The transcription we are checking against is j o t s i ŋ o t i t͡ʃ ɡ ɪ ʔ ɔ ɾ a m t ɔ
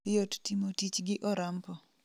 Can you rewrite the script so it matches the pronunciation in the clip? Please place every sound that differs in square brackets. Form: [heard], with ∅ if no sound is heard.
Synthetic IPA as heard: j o t [t] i [m] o t i t͡ʃ ɡ ɪ ʔ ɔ ɾ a m [p] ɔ